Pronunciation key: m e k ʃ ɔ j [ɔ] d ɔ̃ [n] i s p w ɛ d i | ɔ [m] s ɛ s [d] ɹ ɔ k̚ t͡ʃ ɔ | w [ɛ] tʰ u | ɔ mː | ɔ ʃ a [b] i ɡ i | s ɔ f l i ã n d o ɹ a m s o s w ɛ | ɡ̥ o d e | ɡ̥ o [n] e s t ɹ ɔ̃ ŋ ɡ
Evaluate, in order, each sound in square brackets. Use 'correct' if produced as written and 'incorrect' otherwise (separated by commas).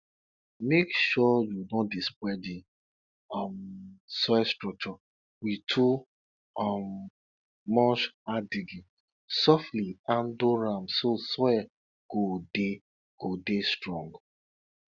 incorrect, incorrect, correct, incorrect, incorrect, incorrect, incorrect